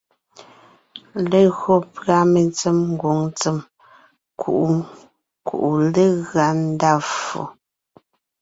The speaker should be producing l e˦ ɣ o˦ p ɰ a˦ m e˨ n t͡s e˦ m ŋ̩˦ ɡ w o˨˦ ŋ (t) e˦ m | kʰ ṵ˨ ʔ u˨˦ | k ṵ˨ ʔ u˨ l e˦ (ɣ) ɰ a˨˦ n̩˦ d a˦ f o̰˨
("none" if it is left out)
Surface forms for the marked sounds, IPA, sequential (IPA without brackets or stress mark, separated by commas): t͡s, ɣ